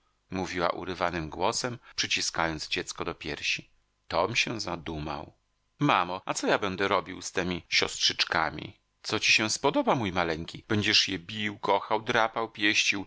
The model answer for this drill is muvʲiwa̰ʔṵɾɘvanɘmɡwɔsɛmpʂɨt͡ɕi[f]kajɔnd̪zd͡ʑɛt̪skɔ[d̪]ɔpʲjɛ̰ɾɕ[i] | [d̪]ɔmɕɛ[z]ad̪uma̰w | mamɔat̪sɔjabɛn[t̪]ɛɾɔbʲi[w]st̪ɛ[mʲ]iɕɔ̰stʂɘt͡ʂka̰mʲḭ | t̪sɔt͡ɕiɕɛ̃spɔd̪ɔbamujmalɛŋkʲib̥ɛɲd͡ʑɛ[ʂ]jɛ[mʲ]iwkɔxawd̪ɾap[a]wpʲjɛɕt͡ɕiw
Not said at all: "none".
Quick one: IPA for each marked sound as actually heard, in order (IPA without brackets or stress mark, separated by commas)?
s, d̪, i, t̪, z, d̪, w, mʲ, ʂ, bʲ, a